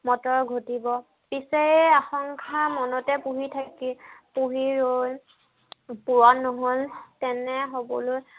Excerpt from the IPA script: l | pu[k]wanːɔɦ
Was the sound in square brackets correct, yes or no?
no